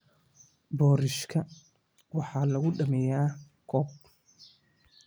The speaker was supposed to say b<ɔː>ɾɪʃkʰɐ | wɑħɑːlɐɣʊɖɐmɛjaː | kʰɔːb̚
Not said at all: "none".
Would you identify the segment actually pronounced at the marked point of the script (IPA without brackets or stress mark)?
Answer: ɔː